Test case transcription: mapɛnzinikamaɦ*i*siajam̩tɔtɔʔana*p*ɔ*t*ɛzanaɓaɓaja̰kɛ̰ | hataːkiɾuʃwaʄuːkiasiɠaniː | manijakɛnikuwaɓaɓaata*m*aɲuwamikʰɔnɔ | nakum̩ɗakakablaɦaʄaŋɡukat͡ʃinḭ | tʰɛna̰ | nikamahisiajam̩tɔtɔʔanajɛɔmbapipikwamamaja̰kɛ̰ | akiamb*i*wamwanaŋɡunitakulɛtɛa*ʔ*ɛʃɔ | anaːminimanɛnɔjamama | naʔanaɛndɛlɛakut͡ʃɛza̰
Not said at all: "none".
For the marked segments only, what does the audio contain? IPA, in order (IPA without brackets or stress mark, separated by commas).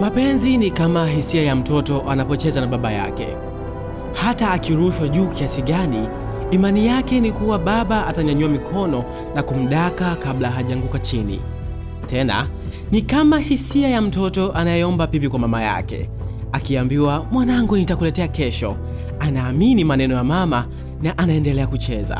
i, p, t͡ʃ, ɲ, i, k